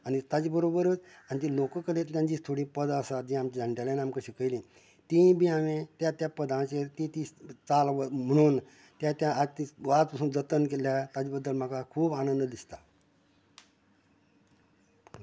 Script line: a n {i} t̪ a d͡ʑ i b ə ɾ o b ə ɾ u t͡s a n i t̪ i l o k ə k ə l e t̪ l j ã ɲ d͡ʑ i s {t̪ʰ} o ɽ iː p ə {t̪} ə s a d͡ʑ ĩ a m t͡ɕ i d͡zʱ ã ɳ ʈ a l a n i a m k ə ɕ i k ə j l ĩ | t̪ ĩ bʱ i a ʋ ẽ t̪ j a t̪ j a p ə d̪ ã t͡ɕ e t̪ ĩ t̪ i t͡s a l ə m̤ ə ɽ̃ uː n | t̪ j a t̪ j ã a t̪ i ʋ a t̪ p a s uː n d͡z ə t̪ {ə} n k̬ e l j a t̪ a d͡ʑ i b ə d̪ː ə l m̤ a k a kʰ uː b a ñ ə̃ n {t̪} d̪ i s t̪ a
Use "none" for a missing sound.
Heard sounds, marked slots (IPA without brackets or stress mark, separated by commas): i, t̪ʰ, d̪, ə, d̪